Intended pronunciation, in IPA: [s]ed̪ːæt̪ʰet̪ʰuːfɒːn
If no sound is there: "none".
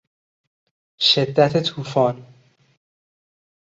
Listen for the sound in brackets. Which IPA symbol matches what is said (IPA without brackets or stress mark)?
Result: ʃ